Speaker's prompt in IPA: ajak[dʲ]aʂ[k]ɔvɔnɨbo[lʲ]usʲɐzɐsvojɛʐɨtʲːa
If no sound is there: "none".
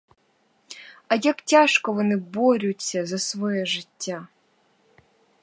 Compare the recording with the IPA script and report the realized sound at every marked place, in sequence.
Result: tʲ, k, ɾʲ

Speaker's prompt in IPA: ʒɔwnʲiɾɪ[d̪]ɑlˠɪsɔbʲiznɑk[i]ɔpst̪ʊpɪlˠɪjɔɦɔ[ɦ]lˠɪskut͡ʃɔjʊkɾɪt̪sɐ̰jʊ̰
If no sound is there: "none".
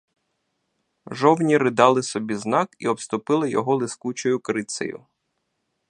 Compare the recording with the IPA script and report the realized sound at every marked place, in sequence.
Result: d̪, i, none

